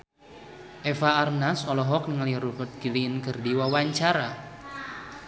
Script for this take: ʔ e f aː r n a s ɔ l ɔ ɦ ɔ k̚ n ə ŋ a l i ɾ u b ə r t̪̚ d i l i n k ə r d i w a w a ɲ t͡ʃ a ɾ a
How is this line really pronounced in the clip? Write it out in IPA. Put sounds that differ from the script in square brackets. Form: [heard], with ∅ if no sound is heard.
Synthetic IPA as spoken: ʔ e f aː r n a s ɔ l ɔ ɦ ɔ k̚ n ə ŋ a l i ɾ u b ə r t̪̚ [ɡ] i l i n k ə r d i w a w a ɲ t͡ʃ a ɾ a